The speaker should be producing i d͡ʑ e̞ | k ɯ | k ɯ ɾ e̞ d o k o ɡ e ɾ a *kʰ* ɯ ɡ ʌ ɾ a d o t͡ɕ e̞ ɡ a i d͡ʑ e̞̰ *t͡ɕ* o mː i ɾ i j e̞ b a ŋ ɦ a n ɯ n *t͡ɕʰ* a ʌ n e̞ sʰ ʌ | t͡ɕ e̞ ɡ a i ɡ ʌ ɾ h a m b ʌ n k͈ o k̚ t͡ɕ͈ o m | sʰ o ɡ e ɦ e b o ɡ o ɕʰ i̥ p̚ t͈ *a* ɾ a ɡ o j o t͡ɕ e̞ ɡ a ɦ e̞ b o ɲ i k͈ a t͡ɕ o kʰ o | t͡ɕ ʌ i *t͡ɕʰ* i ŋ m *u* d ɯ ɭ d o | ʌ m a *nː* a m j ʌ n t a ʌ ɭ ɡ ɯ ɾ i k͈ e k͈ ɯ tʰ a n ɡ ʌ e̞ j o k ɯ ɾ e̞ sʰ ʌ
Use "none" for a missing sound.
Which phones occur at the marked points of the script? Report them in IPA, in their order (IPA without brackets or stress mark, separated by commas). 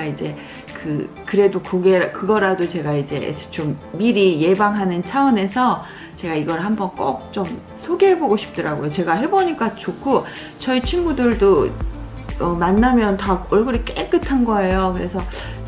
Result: k, t͡ɕ, t͡ɕʰ, ʌ, t͡ɕʰ, u, nː